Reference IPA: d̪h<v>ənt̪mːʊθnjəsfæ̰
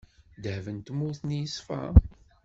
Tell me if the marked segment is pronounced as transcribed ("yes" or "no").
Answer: yes